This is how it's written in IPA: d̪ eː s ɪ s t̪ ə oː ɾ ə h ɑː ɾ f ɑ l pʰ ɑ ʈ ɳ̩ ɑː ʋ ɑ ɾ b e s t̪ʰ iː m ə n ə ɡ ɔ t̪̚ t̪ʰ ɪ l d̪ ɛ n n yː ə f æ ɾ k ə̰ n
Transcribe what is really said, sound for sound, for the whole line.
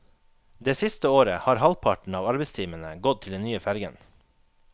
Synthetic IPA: d̪ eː s ɪ s t̪ ə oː ɾ ə h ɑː ɾ h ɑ l pʰ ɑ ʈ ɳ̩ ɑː ʋ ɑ ɾ b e s t̪ʰ iː m ə n ə ɡ ɔ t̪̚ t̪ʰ ɪ l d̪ ɛ n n yː ə f æ ɾ ɡ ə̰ n